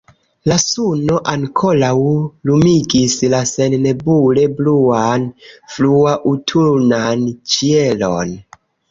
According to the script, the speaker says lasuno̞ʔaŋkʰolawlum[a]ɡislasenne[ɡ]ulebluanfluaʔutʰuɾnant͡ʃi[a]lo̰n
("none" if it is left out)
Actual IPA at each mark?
i, b, e

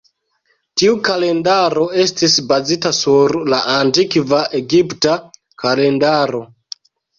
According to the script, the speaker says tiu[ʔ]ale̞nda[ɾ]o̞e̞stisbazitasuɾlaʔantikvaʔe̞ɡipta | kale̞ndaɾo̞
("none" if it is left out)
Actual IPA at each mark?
k, ɾ

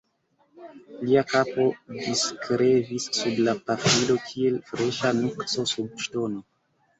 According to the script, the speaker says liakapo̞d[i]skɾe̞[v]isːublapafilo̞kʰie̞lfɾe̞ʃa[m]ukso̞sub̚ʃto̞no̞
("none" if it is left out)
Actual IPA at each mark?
i, v, n

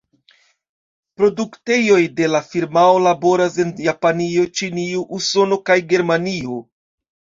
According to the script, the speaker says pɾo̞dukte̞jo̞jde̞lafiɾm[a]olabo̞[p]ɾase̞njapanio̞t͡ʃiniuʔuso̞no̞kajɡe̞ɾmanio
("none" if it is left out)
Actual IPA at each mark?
a, none

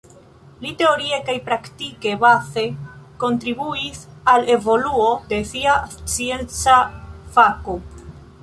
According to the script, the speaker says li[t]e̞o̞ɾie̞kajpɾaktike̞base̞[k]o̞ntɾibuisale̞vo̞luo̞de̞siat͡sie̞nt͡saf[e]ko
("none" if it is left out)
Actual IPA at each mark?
t, k, a

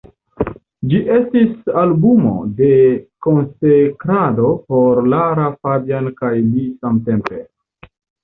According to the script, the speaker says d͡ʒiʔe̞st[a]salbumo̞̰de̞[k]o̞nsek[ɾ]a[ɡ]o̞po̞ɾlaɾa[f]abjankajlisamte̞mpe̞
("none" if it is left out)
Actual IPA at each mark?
i, k, ɾ, d, f

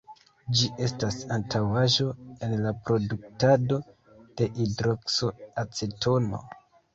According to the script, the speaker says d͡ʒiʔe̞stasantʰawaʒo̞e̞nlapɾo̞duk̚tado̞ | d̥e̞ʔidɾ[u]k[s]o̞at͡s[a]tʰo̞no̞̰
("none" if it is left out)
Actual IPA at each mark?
o, s, e

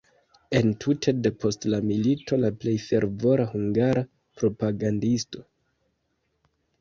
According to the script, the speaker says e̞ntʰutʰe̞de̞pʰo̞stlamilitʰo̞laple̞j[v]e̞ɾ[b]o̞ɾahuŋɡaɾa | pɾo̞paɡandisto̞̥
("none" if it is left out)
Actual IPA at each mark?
f, v

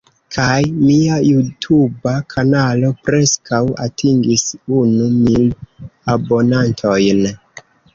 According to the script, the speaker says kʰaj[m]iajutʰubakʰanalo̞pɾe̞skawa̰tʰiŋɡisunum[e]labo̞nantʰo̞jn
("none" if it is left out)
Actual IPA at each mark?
m, i

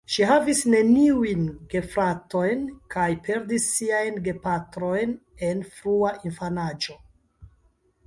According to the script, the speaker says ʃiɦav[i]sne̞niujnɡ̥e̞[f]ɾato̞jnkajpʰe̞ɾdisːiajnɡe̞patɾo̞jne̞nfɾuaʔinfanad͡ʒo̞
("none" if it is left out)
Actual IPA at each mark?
i, f

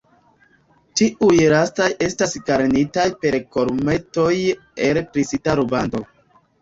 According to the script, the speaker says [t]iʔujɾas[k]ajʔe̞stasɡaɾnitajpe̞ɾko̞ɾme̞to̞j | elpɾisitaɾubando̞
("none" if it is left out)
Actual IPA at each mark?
t, t

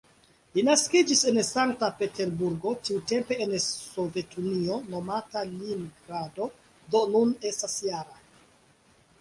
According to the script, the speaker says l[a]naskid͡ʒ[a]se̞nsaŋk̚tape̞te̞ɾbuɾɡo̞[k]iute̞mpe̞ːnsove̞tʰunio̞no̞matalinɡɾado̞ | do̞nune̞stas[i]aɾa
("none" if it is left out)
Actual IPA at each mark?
i, i, t, j

